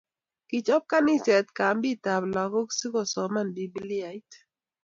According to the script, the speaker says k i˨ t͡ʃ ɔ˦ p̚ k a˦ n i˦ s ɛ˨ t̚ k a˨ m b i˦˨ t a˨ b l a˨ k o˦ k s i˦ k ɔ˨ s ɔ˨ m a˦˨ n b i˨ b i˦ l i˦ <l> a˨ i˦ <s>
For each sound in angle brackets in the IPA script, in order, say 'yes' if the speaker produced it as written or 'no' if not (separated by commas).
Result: no, no